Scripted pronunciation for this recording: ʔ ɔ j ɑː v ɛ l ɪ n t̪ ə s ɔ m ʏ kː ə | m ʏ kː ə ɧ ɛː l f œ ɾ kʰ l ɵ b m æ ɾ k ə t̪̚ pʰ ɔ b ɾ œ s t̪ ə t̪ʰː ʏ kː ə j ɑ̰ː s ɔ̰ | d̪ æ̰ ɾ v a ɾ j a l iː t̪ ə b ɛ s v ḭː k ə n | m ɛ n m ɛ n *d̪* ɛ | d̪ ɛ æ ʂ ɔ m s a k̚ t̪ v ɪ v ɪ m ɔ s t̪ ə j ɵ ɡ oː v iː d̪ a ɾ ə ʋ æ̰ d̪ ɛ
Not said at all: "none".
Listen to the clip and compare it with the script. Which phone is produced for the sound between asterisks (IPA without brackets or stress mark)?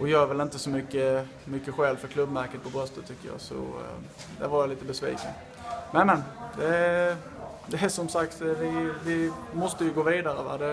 d̪